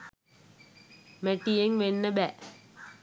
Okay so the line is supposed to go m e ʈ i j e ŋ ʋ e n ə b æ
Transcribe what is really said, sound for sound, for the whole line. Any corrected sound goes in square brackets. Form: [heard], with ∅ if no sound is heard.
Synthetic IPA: m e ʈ i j e ŋ ʋ e [nː] ə b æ